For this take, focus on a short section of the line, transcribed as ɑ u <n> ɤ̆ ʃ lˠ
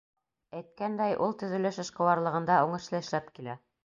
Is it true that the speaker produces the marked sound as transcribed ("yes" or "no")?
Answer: no